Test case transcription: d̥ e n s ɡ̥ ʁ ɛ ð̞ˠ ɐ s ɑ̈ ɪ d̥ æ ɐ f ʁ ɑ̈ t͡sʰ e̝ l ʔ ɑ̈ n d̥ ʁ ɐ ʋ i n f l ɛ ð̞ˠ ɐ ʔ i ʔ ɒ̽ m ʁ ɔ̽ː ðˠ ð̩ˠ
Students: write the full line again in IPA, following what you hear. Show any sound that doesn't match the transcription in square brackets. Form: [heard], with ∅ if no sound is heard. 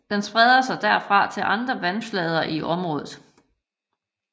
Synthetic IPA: d̥ e n s [b̥] ʁ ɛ ð̞ˠ ɐ s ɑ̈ ɪ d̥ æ ɐ f ʁ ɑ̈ t͡sʰ e̝ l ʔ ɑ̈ n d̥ ʁ ɐ ʋ [æ] n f l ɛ ð̞ˠ ɐ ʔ i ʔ ɒ̽ m ʁ ɔ̽ː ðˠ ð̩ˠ